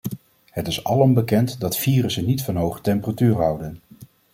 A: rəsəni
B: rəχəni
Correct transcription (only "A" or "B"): A